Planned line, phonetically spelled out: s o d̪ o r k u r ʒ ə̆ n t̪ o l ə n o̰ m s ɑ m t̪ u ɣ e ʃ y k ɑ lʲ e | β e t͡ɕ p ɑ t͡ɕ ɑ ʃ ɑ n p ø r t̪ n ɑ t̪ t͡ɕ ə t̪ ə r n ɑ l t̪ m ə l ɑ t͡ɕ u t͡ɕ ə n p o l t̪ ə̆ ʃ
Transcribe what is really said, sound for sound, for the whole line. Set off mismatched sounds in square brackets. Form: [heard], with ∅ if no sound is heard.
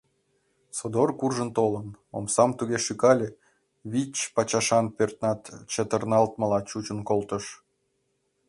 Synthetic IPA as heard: s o d̪ o r k u r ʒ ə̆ n t̪ o l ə n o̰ m s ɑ m t̪ u ɣ e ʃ y k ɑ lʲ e | β [i] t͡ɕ p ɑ t͡ɕ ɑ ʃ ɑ n p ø r t̪ n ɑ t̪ t͡ɕ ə t̪ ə r n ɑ l t̪ m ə l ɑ t͡ɕ u t͡ɕ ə n [k] o l t̪ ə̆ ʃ